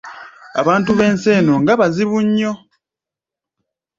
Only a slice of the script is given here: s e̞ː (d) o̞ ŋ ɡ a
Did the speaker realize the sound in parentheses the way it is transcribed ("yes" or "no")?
no